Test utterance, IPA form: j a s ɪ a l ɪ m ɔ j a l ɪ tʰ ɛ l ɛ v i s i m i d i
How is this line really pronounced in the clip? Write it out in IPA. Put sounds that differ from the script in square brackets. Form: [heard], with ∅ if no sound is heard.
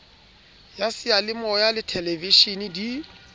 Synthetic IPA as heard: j a s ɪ a l ɪ m ɔ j a l ɪ tʰ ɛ l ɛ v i [ʃ] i [n] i d i